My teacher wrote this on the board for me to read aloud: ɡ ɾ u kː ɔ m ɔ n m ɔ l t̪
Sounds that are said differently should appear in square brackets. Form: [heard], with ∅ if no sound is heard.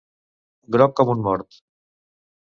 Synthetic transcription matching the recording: ɡ ɾ [ɔ] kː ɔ m [u] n m ɔ [ɾ] t̪